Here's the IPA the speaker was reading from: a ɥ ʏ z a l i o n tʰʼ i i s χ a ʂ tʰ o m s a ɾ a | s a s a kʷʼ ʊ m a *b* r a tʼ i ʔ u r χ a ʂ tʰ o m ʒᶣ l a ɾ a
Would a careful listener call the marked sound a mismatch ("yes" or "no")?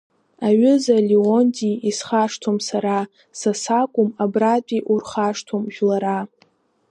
no